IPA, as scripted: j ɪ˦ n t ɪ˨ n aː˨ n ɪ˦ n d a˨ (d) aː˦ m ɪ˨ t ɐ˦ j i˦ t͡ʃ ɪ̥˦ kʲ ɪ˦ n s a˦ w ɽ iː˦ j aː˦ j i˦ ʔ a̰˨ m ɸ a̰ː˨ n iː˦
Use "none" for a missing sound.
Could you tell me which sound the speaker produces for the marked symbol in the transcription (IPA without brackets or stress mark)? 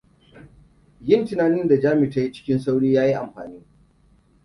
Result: d͡ʒ